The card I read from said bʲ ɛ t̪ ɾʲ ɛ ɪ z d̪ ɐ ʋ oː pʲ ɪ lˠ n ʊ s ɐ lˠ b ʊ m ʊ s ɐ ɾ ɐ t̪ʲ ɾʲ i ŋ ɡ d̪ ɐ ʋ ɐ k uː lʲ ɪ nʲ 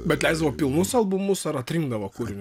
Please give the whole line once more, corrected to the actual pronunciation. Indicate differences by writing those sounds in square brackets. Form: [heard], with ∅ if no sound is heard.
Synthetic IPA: bʲ ɛ t̪ [lʲ] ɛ ɪ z d̪ ɐ ʋ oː pʲ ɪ lˠ n ʊ s ɐ lˠ b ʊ m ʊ s ɐ ɾ ɐ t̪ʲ ɾʲ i ŋ ɡ d̪ ɐ ʋ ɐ k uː [ɾʲ] ɪ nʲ